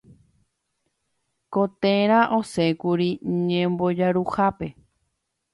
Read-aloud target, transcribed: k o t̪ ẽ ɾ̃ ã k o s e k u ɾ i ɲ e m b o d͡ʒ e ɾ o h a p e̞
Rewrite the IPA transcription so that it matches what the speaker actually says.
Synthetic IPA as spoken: k o t̪ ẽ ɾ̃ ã ʔ o s e k u ɾ i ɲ ẽ m b o d͡ʒ a ɾ u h a p e̞